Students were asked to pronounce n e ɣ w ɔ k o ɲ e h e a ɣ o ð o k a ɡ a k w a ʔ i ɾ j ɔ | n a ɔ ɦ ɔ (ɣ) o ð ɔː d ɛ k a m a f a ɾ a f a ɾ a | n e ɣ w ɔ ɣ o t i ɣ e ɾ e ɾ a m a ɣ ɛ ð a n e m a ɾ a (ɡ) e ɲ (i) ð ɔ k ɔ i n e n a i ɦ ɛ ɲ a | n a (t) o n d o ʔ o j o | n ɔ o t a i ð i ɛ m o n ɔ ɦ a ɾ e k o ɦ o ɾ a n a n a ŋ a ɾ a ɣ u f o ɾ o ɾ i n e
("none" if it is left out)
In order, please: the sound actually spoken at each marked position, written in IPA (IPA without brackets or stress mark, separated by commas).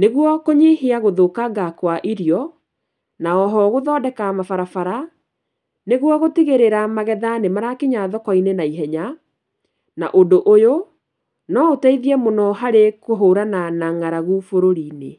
ɣ, k, a, ʔ